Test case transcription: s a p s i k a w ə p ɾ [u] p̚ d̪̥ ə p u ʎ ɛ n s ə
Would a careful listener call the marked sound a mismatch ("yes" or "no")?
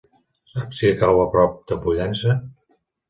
yes